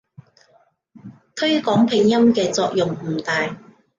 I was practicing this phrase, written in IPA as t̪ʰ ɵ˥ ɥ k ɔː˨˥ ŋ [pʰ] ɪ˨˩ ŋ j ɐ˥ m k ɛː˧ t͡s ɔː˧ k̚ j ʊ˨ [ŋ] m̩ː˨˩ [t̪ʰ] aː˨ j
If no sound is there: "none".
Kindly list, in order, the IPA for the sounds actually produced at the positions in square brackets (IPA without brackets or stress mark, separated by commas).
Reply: pʰ, ŋ, t̪